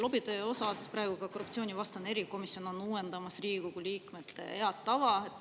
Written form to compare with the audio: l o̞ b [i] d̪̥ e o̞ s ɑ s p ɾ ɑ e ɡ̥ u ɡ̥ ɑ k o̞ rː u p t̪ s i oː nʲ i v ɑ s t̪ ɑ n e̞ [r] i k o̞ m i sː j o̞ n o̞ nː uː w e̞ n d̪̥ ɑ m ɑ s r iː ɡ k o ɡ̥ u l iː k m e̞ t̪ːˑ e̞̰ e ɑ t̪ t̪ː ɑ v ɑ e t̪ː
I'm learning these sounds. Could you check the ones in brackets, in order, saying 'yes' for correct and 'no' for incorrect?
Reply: yes, no

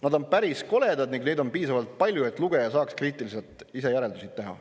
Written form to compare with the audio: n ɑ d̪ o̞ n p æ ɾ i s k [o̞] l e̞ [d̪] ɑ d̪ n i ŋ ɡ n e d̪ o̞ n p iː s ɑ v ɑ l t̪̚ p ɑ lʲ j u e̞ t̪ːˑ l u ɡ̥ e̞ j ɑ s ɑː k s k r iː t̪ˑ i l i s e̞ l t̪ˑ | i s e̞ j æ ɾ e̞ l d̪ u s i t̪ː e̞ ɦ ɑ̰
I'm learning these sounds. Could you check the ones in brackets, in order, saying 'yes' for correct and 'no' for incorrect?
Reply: yes, yes

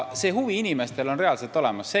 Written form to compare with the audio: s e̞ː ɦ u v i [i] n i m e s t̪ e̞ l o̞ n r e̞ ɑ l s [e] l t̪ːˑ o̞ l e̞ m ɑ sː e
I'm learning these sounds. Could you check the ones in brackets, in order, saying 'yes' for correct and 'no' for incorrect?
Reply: yes, yes

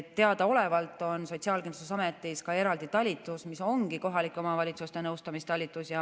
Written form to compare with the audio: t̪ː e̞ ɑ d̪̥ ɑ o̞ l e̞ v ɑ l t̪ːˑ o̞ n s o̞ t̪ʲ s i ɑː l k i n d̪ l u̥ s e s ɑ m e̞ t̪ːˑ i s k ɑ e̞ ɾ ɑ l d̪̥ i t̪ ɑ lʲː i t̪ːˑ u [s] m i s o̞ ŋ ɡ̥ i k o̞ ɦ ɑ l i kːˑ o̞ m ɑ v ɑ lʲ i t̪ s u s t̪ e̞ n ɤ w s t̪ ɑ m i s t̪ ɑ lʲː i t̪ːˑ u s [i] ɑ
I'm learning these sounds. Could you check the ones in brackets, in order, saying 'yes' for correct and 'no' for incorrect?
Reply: yes, no

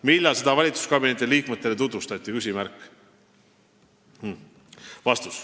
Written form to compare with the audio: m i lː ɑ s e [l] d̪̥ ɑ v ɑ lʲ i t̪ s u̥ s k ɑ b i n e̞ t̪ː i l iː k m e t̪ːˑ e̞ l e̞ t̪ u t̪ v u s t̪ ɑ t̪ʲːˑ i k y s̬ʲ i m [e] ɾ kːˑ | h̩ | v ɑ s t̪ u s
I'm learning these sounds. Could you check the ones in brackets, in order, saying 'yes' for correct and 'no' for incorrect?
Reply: no, no

